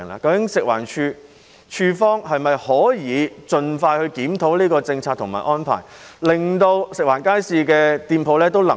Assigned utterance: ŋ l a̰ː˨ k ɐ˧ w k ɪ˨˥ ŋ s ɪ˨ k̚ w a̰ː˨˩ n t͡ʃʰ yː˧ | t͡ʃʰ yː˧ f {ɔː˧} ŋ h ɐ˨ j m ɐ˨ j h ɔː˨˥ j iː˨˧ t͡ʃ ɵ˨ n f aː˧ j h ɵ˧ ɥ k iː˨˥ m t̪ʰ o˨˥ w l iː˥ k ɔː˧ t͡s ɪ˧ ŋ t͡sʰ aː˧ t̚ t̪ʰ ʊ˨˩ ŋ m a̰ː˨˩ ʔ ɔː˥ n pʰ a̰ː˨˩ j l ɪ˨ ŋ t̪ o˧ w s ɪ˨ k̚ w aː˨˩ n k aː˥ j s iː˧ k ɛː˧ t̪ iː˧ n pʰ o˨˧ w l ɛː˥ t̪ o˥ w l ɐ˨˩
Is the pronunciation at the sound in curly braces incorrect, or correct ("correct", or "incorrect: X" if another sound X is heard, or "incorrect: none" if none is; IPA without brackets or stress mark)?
incorrect: ɔː˥